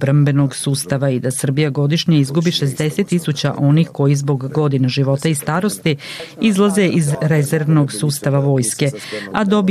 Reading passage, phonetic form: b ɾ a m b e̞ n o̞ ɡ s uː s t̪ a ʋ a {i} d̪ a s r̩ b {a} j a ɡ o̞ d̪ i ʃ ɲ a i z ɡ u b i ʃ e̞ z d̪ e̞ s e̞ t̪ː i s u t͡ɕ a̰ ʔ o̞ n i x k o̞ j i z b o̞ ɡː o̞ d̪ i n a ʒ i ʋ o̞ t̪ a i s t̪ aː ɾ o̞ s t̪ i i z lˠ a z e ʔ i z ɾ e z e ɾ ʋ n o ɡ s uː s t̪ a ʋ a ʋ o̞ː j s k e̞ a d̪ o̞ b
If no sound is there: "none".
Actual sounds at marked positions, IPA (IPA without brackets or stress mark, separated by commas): i, i